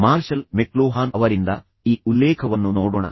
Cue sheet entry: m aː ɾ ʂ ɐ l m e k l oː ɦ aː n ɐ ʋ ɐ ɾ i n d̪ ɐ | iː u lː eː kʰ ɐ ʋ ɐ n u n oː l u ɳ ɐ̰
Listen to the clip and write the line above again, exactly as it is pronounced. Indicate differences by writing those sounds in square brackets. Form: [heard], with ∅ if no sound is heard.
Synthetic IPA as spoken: m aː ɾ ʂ ɐ l m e k l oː ɦ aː n ɐ ʋ ɐ ɾ i n d̪ ɐ | iː u lː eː kʰ ɐ ʋ ɐ [nː] u n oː [ɽ] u ɳ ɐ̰